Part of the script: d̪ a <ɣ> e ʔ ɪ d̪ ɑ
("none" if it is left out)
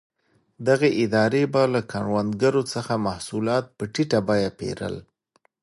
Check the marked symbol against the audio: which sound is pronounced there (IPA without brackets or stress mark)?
ɣ